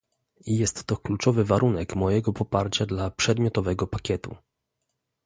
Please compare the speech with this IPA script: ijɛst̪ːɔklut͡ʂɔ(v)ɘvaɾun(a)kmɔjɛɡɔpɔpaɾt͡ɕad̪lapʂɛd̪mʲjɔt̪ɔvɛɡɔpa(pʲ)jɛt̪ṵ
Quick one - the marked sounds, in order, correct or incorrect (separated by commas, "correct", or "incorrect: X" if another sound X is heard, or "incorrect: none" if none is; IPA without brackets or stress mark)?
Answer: correct, incorrect: ɛ, incorrect: kʲ